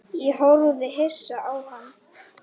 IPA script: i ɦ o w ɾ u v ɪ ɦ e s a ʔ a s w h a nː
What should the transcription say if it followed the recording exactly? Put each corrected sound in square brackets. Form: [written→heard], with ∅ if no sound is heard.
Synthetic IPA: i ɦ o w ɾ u [v→ð] ɪ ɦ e s a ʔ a [s→∅] w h a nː